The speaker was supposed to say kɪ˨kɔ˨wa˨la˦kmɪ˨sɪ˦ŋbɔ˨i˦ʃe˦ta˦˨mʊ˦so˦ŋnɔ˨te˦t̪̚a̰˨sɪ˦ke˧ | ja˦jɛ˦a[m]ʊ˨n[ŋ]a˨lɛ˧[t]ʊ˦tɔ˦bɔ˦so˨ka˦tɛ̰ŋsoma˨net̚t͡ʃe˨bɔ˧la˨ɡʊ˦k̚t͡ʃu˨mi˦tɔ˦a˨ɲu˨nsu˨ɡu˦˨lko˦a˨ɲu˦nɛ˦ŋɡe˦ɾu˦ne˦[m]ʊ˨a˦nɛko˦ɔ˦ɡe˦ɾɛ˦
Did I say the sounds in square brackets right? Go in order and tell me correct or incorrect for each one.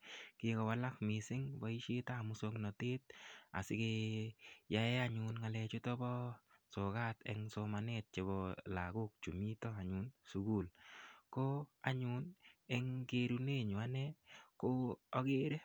incorrect: ɲ, correct, incorrect: t͡ʃ, incorrect: ɲ

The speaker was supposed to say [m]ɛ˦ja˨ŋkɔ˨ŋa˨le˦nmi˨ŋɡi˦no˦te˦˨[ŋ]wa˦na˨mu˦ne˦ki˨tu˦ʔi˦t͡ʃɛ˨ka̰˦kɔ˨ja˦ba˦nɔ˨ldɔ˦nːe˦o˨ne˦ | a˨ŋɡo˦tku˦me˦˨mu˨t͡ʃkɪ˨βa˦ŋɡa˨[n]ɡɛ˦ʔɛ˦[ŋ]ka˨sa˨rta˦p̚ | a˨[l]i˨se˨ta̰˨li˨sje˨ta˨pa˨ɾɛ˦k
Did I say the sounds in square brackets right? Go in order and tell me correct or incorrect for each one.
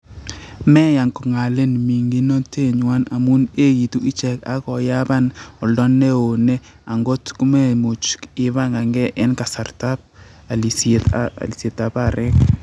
correct, incorrect: ɲ, incorrect: ŋ, incorrect: n, correct

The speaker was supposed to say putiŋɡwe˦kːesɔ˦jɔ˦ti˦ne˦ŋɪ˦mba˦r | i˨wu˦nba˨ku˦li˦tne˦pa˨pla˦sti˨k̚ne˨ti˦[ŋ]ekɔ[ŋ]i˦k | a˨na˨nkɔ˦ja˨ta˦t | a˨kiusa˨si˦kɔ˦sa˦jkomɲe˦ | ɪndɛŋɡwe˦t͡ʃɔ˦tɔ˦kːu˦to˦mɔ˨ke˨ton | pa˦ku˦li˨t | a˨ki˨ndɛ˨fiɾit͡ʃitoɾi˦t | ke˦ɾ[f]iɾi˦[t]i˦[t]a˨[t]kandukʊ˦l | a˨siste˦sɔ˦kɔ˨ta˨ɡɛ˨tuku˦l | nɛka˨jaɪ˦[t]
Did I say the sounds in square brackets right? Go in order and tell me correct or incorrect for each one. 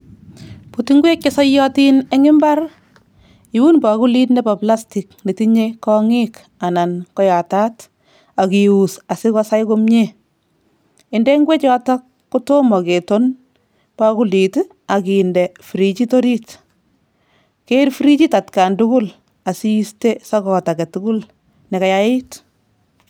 incorrect: ɲ, correct, correct, incorrect: t͡ʃ, correct, correct, correct

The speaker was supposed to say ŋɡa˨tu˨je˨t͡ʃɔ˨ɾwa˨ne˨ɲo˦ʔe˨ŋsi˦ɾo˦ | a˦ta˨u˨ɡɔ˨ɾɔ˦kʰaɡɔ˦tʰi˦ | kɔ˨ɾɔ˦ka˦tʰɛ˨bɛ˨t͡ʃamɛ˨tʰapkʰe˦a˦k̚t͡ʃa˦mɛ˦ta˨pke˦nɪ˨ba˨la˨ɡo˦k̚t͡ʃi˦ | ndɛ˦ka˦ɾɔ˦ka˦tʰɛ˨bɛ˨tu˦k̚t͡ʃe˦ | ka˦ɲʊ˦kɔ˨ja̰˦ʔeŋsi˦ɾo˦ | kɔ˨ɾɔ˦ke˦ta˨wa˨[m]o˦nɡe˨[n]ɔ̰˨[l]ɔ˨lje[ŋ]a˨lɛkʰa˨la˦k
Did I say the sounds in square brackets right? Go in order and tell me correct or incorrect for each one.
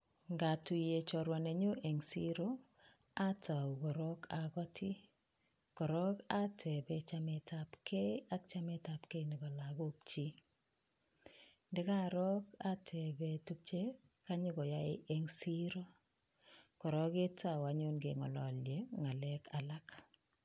incorrect: ɲ, incorrect: ŋ, correct, correct

